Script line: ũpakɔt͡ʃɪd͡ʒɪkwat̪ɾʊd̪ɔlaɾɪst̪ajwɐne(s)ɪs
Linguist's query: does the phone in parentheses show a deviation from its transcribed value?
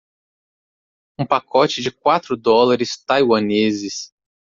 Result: yes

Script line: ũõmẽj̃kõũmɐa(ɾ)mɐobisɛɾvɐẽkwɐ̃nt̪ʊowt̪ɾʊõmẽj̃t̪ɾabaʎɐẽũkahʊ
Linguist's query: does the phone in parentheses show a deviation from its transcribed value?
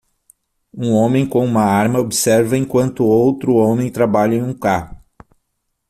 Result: no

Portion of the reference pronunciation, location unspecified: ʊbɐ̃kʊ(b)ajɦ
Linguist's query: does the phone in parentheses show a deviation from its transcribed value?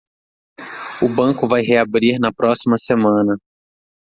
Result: yes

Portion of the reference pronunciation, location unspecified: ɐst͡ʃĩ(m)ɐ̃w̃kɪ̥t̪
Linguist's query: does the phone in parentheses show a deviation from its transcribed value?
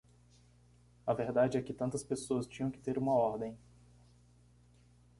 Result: yes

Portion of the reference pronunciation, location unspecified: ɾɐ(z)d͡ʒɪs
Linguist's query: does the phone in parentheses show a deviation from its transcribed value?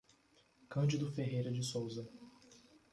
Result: yes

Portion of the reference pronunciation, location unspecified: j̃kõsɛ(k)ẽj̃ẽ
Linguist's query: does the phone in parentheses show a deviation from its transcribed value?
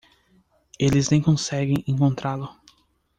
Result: yes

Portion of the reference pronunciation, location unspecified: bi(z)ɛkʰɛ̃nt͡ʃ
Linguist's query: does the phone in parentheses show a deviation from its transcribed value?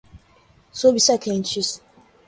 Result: yes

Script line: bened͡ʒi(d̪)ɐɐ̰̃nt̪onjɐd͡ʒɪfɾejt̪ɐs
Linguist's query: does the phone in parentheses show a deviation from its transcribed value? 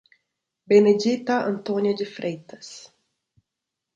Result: yes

